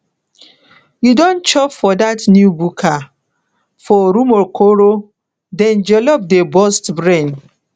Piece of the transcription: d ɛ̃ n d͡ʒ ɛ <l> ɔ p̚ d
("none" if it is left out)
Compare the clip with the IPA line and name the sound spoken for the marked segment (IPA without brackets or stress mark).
l